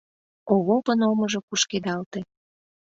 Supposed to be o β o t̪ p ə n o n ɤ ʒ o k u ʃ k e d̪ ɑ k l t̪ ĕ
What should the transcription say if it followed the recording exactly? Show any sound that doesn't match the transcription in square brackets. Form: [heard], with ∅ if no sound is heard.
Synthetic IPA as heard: o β o [∅] p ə n o [m] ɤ ʒ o k u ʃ k e d̪ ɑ [∅] l t̪ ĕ